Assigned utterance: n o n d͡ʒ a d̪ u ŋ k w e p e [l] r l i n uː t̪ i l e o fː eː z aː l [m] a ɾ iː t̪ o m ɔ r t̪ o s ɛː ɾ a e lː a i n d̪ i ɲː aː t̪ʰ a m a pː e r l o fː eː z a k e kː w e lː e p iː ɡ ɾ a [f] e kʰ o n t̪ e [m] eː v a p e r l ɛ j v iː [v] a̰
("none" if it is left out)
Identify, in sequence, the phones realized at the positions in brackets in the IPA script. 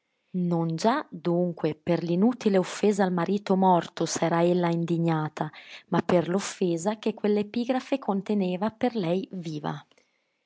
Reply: none, m, f, n, v

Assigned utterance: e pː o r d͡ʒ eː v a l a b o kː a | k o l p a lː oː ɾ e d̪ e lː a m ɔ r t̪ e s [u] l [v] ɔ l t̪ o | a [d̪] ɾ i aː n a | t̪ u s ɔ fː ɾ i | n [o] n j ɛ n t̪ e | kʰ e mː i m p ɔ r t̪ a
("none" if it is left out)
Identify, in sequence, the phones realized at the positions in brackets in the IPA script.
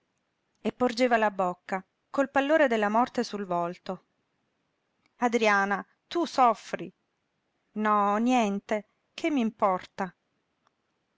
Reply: u, v, d̪, ɔ

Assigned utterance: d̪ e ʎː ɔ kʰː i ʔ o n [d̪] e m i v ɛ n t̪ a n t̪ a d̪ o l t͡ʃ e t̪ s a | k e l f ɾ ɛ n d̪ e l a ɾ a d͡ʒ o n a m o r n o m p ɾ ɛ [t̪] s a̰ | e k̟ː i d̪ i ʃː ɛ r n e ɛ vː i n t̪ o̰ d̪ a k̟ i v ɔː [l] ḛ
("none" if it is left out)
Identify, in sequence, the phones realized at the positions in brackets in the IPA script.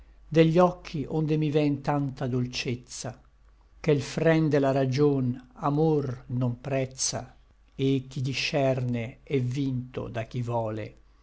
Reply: d̪, t̪, l

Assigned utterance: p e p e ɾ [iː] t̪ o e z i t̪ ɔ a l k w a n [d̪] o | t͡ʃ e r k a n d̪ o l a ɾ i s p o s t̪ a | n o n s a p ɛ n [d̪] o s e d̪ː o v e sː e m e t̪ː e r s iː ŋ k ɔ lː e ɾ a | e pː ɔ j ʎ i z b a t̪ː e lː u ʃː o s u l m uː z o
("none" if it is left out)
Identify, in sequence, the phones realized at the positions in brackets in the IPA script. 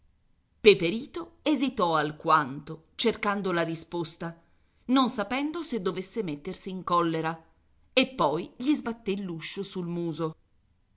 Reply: iː, t̪, d̪

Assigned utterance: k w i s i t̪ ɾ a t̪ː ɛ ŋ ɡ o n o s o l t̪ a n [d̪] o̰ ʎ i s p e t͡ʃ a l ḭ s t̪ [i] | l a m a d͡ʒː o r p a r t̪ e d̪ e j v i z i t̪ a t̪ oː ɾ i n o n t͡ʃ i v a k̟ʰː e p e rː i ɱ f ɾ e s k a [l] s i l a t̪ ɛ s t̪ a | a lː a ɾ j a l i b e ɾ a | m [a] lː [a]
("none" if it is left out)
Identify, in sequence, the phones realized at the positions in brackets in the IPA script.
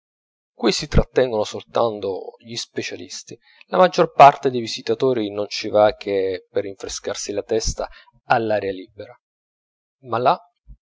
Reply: t̪, i, r, a, a

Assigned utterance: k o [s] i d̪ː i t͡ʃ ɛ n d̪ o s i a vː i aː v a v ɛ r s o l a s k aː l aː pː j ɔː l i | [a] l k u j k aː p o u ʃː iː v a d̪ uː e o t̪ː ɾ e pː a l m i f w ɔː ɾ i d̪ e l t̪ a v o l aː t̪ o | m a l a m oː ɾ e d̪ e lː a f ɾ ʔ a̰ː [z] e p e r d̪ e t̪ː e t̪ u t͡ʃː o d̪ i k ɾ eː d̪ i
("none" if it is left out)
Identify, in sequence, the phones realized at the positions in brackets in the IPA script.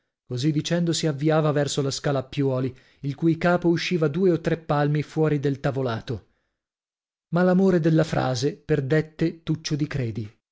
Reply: z, i, z

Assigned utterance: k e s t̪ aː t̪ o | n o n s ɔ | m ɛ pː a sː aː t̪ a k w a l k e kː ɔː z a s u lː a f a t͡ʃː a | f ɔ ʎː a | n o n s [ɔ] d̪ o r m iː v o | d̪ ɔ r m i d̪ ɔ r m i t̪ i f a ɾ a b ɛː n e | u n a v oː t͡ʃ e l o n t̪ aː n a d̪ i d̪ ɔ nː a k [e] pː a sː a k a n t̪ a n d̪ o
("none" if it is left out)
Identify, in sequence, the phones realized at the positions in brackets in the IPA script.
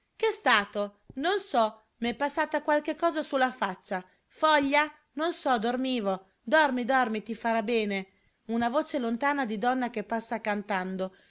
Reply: ɔ, e

